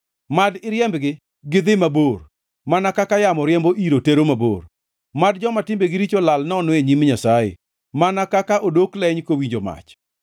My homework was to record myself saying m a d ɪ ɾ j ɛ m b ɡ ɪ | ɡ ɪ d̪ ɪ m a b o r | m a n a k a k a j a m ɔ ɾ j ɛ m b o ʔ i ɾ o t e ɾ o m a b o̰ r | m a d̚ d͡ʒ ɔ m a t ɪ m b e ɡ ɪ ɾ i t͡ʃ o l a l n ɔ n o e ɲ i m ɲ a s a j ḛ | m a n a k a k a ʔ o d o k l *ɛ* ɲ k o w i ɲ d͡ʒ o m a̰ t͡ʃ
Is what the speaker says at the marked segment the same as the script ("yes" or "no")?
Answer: yes